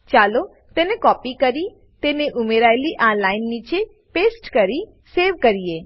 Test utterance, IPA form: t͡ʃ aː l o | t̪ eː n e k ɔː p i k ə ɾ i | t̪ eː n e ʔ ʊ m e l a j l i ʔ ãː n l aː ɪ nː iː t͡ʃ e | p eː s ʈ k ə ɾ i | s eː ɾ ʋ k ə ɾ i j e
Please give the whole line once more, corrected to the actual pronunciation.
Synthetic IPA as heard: t͡ʃ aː l o | t̪ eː n e k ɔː p i k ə ɾ i | t̪ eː n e ʔ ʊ m e ɾ a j l i ʔ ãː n l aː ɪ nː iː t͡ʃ e | p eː s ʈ k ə ɾ i | s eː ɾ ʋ k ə ɾ i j e